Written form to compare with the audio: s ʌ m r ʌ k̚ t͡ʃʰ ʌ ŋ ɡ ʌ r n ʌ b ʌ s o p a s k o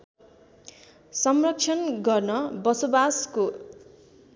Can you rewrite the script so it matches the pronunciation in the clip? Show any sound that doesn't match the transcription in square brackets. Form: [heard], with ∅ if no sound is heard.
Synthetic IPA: s ʌ m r ʌ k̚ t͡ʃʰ ʌ [n] ɡ ʌ r n ʌ b ʌ s o [b] a s k o